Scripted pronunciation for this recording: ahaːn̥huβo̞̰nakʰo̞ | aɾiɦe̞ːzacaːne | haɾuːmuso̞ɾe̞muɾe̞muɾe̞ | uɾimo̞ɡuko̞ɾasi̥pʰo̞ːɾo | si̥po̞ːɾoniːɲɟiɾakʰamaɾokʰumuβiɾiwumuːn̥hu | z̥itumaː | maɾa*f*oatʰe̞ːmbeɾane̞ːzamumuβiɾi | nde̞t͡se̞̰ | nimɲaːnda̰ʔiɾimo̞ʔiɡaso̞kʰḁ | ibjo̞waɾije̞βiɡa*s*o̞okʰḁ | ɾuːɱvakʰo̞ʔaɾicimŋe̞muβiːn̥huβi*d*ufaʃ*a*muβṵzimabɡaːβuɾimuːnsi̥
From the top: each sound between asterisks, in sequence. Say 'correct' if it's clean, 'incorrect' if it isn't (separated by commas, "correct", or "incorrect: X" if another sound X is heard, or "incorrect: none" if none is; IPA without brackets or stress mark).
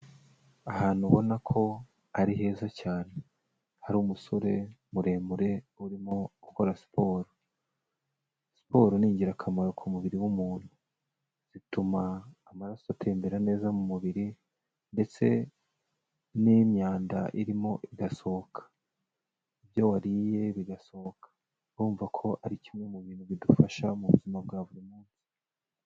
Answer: incorrect: s, correct, correct, correct